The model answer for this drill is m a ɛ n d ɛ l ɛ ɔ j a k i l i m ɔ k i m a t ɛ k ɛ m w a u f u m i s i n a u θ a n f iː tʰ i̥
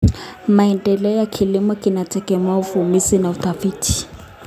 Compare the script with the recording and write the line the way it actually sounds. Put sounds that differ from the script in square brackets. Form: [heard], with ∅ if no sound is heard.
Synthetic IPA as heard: m a ɛ n d ɛ l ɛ ɔ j a [kʰ] i l i m ɔ k i [n] a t ɛ k ɛ m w a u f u m i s i n a u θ a [∅] f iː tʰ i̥

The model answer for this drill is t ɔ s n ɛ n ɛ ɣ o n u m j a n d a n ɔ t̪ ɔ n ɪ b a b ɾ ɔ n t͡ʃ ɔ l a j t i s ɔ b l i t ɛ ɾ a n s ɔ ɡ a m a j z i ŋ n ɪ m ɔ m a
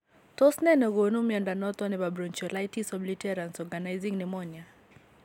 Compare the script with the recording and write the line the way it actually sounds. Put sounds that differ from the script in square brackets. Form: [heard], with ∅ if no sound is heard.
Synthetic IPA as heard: t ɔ s n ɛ n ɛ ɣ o n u m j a n d a n ɔ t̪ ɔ n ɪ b a b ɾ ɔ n t͡ʃ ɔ l a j t i s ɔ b l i t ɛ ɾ a n s ɔ ɡ a [n] a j z i ŋ n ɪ m ɔ [ɲ] a

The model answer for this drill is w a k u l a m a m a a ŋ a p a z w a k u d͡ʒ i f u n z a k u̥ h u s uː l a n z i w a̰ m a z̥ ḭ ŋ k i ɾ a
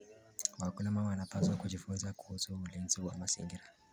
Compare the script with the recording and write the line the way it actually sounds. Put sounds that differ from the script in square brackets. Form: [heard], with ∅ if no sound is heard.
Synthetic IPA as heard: w a k u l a m a m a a [n] a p a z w a k u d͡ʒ i f u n z a k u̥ h u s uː l [i] n z i w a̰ m a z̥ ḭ ŋ [ɡ] i ɾ a

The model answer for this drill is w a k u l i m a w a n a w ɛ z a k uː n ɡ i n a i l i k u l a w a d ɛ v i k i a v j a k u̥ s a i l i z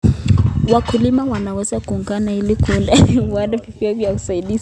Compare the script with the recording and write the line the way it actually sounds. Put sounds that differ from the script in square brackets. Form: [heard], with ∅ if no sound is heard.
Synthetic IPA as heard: w a k u l i m a w a n a w ɛ z a k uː [ŋ] ɡ [a] n a i l i k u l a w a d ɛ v i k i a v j a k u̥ s a i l i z

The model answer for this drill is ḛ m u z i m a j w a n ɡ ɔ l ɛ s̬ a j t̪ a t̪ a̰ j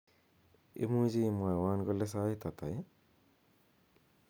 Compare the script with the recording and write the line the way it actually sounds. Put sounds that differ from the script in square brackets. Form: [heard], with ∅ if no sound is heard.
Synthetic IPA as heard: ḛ m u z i m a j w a n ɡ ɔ l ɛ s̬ a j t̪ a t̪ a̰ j

